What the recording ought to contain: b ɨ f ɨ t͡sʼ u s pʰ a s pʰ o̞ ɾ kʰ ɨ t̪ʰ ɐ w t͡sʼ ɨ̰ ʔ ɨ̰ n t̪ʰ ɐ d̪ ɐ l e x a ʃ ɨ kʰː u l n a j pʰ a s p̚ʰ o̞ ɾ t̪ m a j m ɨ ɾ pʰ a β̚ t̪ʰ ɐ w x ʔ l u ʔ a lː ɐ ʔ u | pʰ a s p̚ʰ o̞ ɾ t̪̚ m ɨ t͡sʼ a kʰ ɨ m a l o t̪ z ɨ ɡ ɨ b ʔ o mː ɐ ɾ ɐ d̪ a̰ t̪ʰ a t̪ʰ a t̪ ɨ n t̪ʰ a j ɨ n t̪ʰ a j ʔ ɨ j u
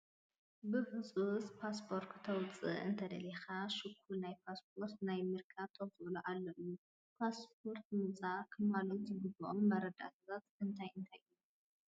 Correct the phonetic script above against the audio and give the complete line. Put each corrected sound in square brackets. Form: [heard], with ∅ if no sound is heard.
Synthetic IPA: b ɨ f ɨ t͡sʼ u s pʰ a s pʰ o̞ ɾ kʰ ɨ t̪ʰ ɐ w t͡sʼ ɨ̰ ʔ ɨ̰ n t̪ʰ ɐ d̪ ɐ l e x a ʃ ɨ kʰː u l n a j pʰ a s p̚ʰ o̞ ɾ t̪ [n] a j m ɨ ɾ [kʰ] a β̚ t̪ʰ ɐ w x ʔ l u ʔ a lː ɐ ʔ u | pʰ a s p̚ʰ o̞ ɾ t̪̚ m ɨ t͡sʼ a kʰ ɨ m a l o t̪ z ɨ ɡ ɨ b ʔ o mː ɐ ɾ ɐ d̪ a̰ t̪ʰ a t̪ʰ a t̪ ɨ n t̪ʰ a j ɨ n t̪ʰ a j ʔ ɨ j u